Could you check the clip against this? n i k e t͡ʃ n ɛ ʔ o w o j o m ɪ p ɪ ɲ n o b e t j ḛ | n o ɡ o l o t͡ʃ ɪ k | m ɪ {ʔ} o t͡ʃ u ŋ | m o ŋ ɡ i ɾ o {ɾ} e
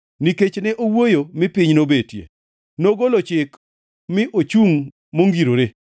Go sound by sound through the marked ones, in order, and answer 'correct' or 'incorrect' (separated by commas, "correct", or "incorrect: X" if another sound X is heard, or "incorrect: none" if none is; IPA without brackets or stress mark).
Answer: correct, correct